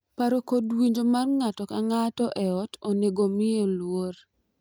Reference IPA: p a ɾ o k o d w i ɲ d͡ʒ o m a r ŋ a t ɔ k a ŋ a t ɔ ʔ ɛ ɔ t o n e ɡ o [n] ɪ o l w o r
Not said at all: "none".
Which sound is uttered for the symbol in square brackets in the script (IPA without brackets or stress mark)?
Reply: m